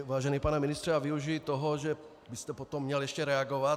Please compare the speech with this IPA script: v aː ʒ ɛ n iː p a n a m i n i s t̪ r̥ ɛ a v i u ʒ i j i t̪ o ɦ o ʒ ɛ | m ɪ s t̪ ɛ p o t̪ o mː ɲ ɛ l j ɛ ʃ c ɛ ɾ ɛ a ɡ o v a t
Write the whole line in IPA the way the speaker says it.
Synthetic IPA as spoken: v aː ʒ ɛ n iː p a n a m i n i s t̪ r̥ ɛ a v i u ʒ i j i t̪ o ɦ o ʒ ɛ | b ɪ s t̪ ɛ p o t̪ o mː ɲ ɛ l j ɛ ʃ c ɛ ɾ ɛ a ɡ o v a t